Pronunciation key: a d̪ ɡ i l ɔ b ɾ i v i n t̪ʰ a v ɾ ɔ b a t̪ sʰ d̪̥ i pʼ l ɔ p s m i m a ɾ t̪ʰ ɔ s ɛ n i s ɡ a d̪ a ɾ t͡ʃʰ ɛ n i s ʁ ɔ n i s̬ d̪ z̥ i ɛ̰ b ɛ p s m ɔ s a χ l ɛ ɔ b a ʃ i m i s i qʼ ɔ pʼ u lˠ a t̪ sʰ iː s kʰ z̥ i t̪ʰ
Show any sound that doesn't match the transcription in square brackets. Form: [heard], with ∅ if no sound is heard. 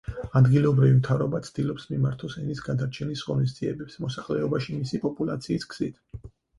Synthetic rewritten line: a d̪ ɡ i l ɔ b ɾ i v i [m] t̪ʰ a v ɾ ɔ b a t̪ sʰ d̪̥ i [∅] l ɔ p s m i m a ɾ t̪ʰ ɔ s ɛ n i s ɡ a d̪ a ɾ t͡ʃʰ ɛ n i s ʁ ɔ n i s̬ d̪ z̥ i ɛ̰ b ɛ p s m ɔ s a χ l ɛ ɔ b a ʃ i m i s i [pʼ] ɔ pʼ u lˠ a t̪ sʰ iː s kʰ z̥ i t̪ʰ